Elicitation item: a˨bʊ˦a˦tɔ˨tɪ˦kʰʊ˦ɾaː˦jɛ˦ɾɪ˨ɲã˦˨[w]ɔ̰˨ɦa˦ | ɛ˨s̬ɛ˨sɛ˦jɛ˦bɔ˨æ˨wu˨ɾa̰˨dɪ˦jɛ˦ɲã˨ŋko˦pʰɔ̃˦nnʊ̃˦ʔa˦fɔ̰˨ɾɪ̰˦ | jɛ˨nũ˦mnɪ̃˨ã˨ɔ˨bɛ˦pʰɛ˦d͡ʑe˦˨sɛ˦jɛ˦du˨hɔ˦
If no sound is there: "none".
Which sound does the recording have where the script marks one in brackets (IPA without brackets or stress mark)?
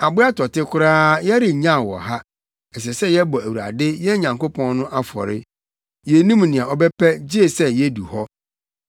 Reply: w